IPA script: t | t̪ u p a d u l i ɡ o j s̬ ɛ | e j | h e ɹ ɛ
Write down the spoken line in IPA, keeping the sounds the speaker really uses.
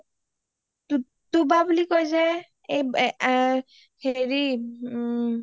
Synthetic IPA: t | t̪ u b a b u l i k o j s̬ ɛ | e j | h e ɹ i